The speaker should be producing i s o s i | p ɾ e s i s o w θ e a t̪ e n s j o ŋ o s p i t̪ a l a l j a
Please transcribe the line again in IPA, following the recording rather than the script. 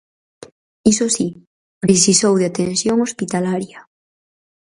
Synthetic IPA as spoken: i s o s i | p ɾ e s i s o w ð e a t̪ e n s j o ŋ o s p i t̪ a l a ɾ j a